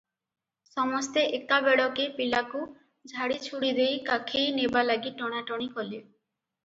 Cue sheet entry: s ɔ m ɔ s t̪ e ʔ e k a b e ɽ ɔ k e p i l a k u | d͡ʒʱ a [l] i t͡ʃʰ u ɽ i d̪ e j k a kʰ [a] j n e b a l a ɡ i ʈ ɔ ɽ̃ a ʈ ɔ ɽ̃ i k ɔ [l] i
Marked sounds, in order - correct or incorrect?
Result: incorrect: ɽ, incorrect: e, correct

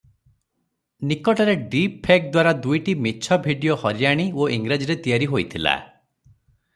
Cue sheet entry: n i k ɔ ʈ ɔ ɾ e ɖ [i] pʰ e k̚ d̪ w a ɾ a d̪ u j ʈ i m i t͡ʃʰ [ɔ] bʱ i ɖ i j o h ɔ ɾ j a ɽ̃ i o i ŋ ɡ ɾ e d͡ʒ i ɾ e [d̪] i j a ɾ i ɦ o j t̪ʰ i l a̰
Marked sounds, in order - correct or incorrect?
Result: correct, correct, incorrect: t̪

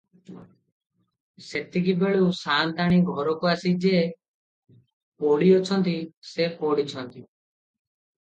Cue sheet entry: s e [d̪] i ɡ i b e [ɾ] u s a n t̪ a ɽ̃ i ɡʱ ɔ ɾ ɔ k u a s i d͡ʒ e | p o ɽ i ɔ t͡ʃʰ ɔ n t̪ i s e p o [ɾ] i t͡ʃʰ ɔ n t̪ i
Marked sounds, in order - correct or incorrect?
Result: incorrect: t̪, incorrect: ɭ, incorrect: ɽ

